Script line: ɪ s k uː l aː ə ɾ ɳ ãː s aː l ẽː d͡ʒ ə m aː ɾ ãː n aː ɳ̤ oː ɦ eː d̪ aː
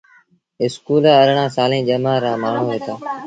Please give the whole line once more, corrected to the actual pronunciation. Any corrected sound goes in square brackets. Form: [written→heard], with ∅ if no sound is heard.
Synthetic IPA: ɪ s k uː l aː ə ɾ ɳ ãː s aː l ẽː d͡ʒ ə m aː ɾ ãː [n→m] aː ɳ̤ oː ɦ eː [d̪→t̪] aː